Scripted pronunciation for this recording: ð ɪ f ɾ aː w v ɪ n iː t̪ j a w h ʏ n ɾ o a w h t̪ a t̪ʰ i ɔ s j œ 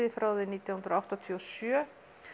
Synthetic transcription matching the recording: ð ɪ f ɾ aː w ð ɪ n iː t̪ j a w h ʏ n ɾ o a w h t̪ a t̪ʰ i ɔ s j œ